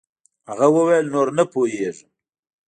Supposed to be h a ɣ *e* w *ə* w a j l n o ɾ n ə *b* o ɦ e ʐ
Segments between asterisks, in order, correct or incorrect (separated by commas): incorrect, correct, incorrect